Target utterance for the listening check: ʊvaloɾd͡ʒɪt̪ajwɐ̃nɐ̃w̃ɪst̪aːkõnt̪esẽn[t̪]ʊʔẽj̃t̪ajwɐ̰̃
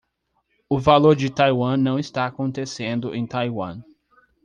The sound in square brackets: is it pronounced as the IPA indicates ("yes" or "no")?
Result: no